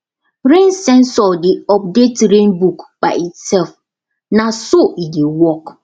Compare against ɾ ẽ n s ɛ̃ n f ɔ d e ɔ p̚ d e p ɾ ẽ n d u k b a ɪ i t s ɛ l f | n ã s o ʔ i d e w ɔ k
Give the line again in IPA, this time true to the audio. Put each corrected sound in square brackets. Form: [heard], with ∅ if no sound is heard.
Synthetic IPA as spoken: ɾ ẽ n s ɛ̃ n [s] ɔ d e ɔ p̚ d e [t] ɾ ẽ n [b] u k b a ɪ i t s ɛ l f | n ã s o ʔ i d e w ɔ k